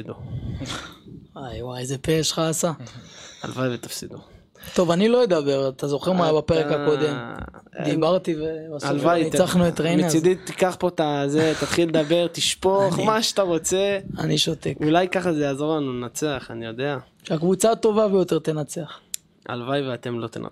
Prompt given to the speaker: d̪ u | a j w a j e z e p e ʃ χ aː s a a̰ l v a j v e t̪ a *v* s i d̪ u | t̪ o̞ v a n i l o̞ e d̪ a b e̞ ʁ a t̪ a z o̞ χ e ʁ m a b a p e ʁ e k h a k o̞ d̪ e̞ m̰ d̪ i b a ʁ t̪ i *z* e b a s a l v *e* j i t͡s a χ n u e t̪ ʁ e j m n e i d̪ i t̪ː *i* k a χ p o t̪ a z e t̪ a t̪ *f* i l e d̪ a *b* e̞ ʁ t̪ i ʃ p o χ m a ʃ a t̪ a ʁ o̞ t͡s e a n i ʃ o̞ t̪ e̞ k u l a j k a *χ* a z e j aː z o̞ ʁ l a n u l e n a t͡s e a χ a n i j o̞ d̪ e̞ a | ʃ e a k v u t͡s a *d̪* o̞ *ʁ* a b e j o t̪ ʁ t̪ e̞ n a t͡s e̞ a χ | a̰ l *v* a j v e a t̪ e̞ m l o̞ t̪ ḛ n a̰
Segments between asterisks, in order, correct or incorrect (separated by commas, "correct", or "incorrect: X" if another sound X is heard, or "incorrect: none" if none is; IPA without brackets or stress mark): incorrect: f, incorrect: v, incorrect: a, correct, incorrect: χ, correct, correct, incorrect: t̪, incorrect: v, correct